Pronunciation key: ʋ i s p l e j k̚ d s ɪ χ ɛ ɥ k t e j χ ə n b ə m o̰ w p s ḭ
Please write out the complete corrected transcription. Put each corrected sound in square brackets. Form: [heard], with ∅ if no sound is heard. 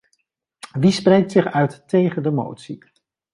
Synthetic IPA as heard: ʋ i s p [r] e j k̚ [t] s ɪ χ [œ] ɥ [t] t e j χ ə n [d] ə m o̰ w [t] s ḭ